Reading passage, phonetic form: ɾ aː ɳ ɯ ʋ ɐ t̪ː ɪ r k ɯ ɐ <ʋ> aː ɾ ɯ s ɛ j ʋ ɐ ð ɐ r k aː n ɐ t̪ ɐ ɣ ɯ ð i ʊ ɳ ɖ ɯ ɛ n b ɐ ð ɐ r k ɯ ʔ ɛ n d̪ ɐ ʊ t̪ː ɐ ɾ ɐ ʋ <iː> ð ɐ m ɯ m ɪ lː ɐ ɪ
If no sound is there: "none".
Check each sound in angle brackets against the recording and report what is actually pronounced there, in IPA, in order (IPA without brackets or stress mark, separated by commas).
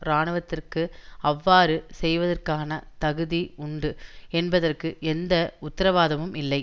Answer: ʋː, aː